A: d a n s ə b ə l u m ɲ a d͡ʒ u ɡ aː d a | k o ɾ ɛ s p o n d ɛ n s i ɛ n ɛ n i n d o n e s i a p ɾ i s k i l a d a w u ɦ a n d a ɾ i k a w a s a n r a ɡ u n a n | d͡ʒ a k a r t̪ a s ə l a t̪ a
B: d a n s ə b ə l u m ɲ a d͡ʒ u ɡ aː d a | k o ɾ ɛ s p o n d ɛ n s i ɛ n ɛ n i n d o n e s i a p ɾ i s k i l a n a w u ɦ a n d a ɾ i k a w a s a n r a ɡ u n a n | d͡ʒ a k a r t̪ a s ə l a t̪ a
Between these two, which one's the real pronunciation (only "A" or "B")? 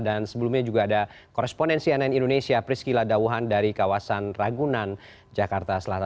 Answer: A